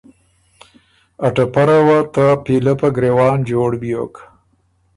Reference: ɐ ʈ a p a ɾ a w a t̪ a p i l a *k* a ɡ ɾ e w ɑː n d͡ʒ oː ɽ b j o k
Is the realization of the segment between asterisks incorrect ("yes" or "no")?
yes